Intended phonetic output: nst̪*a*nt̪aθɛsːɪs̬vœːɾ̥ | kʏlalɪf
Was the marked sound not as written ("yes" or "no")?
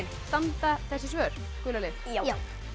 no